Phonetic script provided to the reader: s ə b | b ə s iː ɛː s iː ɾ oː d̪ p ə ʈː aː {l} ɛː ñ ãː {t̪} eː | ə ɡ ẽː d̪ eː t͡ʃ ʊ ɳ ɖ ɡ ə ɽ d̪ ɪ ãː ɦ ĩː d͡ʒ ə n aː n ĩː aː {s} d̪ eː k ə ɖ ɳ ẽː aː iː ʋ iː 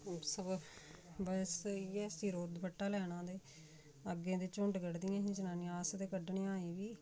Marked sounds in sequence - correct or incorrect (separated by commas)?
correct, incorrect, correct